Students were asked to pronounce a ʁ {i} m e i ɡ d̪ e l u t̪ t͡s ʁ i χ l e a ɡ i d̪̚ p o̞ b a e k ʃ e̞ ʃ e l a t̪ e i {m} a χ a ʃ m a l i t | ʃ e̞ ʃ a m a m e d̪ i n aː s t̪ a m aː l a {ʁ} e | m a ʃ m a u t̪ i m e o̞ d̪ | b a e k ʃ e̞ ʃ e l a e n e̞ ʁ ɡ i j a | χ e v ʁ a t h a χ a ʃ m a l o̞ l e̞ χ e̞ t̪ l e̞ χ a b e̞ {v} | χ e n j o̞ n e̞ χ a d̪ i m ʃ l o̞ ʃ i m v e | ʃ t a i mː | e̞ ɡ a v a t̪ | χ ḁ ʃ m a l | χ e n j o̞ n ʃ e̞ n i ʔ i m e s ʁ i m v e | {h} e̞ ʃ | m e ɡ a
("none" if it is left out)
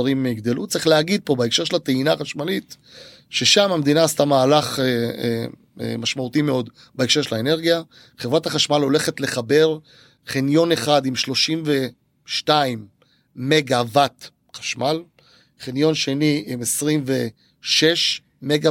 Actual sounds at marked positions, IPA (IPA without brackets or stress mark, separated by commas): i, n, χ, ʁ, ʃ